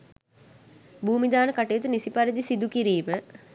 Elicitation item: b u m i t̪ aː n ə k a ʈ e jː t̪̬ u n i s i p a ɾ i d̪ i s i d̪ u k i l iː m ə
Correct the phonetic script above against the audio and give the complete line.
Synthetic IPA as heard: b uː m i d̪ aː n ə k a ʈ e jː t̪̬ u n i s i p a ɾ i d̪ i s i d̪ u k i ɾ iː m ə

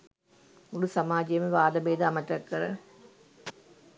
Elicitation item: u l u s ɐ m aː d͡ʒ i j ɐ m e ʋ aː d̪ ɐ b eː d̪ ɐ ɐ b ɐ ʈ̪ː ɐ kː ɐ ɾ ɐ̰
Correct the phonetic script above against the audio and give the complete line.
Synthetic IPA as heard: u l u s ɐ m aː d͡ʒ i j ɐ m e ʋ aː d̪ ɐ b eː d̪ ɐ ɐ m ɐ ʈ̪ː ɐ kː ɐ ɾ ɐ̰

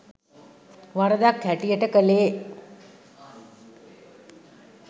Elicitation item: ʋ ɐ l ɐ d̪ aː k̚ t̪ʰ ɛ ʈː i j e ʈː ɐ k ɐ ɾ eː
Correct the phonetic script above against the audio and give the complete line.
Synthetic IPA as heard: ʋ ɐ ɾ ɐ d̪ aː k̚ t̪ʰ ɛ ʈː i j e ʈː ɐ k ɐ l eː

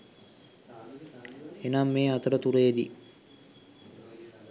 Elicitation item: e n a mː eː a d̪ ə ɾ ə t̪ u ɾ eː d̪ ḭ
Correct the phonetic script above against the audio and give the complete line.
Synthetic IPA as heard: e n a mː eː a t̪ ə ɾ ə t̪ u ɾ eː d̪ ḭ

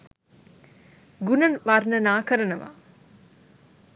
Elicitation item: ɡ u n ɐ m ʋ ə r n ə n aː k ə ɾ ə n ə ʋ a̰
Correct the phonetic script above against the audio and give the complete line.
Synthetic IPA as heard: ɡ u n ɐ n ʋ a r n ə n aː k ə ɾ ə n ə ʋ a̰

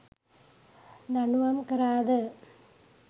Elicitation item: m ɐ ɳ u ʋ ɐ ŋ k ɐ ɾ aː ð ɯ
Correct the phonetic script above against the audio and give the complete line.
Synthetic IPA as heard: n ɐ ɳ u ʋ ɐ m k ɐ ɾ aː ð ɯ

